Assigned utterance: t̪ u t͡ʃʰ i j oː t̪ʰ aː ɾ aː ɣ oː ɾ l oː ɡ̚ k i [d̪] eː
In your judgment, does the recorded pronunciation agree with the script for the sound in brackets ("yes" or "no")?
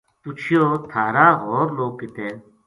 no